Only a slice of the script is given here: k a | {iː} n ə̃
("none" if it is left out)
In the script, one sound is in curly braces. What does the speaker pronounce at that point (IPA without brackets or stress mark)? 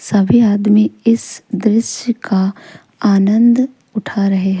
aː